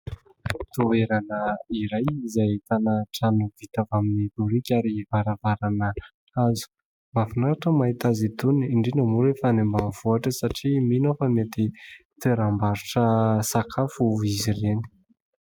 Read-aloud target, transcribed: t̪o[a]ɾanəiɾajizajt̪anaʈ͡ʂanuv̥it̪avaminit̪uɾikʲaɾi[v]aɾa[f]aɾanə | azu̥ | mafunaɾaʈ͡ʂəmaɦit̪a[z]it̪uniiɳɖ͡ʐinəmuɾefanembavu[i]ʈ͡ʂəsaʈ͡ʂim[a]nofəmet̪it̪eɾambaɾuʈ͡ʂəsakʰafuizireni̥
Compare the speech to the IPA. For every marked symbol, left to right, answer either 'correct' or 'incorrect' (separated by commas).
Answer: incorrect, correct, incorrect, correct, incorrect, incorrect